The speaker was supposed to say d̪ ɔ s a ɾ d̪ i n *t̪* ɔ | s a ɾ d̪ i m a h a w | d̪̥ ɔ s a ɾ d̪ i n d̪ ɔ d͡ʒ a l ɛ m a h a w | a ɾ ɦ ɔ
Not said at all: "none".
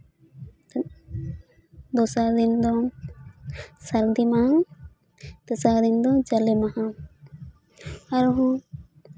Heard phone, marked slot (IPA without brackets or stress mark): d̪